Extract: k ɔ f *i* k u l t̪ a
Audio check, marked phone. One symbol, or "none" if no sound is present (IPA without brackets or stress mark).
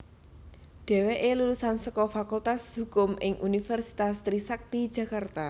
a